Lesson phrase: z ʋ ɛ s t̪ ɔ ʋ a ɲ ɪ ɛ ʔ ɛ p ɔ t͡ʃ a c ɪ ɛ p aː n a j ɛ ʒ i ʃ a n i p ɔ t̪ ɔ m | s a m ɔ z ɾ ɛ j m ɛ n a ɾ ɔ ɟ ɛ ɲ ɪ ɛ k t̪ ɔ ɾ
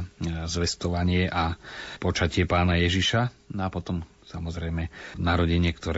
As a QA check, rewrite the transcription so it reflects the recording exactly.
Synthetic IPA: z ʋ ɛ s t̪ ɔ ʋ a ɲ ɪ ɛ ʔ a p ɔ t͡ʃ a c ɪ ɛ p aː n a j ɛ ʒ i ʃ a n a p ɔ t̪ ɔ m | s a m ɔ z ɾ ɛ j m ɛ n a ɾ ɔ ɟ ɛ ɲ ɪ ɛ k t̪ ɔ ɾ